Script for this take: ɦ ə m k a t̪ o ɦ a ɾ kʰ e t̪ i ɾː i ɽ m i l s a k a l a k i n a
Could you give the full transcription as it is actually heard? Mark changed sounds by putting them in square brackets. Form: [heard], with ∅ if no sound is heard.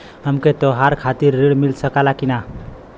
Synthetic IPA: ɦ ə m k [e] t̪ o ɦ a ɾ kʰ [a] t̪ i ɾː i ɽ m i l s [ə] k a l a k i n a